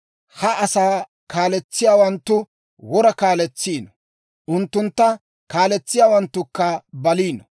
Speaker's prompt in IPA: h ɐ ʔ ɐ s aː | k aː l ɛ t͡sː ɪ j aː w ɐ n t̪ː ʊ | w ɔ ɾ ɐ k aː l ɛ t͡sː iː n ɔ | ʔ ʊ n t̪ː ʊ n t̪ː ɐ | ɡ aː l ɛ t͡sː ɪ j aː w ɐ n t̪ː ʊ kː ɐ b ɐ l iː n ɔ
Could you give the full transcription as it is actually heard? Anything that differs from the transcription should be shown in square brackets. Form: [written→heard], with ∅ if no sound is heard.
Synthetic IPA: h ɐ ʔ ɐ s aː | k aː l ɛ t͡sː ɪ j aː w ɐ n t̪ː ʊ | w ɔ ɾ ɐ k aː l ɛ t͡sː iː n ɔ | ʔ ʊ n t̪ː ʊ n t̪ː ɐ | [ɡ→k] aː l ɛ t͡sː ɪ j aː w ɐ n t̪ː ʊ kː ɐ b ɐ l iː n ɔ